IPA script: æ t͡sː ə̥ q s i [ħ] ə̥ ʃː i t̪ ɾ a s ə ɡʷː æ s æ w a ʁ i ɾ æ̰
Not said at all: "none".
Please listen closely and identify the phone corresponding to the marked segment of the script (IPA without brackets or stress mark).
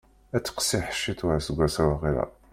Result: ħ